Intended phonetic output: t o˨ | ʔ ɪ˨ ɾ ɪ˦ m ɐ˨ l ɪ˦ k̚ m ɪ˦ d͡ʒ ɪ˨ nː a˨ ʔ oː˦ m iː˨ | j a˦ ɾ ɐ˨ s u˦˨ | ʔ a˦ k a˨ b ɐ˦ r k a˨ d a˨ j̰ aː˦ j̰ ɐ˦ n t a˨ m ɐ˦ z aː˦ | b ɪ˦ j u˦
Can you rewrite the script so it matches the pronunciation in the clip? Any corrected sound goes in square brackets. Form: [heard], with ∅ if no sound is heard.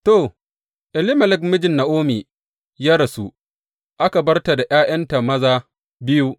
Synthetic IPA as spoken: t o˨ | ʔ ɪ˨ [l] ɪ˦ m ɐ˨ l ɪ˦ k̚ m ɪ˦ d͡ʒ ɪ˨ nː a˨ ʔ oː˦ m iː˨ | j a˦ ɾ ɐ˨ s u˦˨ | ʔ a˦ k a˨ b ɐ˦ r [t] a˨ d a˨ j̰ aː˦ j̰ ɐ˦ n t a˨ m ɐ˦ z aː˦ | b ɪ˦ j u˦